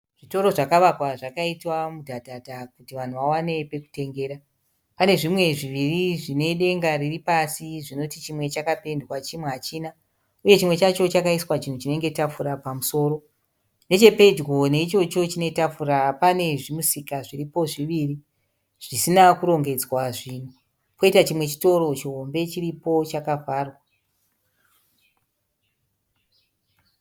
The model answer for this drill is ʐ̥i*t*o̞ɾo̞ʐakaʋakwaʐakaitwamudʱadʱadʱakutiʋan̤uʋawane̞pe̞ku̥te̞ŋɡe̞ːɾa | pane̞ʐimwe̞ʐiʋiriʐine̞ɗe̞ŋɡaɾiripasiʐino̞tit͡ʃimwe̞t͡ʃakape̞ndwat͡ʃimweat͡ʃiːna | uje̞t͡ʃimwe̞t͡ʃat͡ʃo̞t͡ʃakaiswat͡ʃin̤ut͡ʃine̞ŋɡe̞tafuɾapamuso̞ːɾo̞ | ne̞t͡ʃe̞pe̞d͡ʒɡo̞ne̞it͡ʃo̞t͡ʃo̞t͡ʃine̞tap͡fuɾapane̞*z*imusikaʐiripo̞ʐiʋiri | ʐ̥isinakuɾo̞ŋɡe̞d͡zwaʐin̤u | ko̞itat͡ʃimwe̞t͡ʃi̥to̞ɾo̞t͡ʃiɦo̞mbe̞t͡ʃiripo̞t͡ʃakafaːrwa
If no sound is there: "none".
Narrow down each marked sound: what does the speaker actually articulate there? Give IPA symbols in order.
t, ʐ

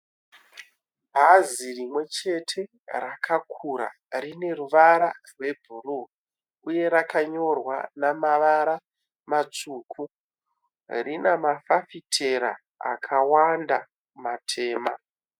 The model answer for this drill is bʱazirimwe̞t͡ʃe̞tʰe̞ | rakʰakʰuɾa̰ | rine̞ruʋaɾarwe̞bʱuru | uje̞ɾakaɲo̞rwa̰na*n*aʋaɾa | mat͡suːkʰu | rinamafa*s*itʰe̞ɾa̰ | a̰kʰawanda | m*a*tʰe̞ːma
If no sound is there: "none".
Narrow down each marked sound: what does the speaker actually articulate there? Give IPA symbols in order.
m, f, a

